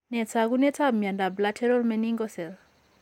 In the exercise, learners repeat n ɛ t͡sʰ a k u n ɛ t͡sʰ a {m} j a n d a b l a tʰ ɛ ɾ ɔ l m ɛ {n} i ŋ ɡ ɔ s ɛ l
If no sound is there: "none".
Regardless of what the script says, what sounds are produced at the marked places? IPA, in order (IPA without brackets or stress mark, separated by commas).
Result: m, n